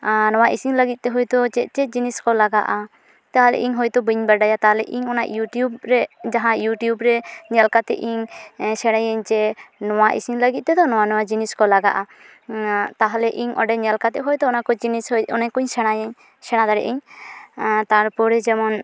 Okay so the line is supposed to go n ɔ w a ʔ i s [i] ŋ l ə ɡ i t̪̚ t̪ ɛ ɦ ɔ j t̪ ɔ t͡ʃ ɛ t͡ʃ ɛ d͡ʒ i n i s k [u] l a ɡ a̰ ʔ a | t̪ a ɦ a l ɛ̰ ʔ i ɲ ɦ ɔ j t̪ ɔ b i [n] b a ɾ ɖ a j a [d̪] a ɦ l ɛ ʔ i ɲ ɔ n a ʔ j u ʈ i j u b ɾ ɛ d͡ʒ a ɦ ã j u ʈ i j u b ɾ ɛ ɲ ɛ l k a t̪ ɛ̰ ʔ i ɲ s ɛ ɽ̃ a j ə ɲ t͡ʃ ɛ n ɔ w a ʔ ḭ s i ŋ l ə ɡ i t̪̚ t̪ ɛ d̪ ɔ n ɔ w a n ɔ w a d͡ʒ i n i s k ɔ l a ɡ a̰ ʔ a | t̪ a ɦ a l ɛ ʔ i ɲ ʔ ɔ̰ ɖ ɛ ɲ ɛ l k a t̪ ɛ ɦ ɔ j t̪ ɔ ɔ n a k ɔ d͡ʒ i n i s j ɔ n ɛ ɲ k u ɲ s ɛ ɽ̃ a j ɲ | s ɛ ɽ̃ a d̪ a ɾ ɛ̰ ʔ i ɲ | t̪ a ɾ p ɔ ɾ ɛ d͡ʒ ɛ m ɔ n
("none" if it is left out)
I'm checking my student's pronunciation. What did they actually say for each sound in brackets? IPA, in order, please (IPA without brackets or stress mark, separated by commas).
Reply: i, ɔ, ɲ, t̪